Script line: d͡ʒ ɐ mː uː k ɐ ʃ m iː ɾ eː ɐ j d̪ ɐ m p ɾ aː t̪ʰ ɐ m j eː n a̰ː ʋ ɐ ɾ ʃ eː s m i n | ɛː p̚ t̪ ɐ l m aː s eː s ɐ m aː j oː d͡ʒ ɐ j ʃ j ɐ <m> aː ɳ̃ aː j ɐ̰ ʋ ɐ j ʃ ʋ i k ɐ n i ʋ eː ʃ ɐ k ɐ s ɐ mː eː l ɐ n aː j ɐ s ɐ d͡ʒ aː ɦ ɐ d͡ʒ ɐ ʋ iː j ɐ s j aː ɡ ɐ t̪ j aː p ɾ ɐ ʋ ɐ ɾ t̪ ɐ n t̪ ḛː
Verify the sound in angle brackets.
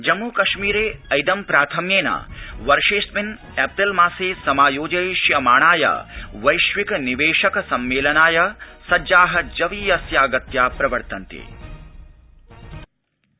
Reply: correct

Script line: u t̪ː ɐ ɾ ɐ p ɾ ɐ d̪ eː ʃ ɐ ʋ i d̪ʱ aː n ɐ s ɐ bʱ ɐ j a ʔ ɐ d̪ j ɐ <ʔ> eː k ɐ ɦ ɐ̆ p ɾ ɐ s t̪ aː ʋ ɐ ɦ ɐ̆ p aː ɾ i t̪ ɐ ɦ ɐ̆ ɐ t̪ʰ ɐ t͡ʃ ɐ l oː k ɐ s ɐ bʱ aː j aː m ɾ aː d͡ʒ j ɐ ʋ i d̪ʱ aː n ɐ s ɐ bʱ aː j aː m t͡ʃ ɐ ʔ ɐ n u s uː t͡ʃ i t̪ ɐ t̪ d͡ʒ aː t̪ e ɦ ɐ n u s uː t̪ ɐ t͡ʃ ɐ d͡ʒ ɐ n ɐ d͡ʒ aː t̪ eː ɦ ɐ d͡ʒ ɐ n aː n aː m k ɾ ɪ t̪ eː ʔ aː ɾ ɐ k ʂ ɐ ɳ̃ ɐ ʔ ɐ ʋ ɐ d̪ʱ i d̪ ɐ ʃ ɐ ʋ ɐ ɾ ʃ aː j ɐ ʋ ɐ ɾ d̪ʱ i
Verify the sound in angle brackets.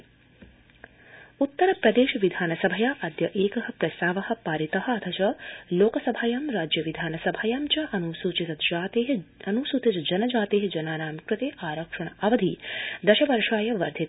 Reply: correct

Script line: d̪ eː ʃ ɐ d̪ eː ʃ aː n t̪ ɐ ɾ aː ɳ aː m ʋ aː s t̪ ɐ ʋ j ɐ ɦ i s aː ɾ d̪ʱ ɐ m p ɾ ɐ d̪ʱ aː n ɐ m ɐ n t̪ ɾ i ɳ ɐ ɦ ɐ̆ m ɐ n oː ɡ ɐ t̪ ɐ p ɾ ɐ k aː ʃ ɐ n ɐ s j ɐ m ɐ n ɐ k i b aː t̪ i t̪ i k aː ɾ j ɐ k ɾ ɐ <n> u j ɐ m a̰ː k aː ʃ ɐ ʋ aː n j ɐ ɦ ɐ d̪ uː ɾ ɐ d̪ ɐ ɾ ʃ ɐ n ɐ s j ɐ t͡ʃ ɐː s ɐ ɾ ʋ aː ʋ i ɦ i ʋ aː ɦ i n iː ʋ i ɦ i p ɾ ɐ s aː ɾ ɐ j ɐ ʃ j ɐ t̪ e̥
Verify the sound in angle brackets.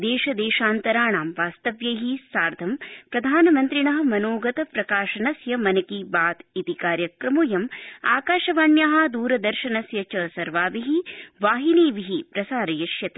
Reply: incorrect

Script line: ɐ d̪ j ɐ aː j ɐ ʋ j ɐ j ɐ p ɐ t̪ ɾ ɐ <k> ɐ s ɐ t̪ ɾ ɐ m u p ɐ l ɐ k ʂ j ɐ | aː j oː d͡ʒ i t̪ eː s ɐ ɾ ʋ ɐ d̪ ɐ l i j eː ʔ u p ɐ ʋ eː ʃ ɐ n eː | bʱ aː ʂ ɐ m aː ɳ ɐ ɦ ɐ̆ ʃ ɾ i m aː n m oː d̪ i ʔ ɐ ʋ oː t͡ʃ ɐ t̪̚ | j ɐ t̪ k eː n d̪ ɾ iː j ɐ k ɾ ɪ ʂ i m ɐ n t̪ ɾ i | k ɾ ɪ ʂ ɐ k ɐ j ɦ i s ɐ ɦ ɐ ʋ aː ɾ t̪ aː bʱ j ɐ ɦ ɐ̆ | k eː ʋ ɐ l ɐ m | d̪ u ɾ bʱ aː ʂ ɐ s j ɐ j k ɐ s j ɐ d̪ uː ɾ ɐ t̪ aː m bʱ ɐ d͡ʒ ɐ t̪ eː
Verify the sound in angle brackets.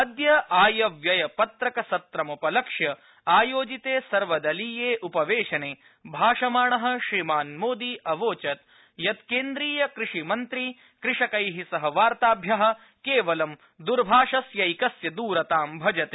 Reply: correct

